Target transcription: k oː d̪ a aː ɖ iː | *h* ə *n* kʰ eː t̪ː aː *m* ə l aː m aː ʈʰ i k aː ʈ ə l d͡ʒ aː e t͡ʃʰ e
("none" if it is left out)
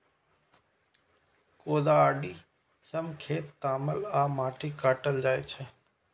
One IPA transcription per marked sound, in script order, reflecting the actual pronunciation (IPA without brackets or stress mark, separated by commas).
s, m, m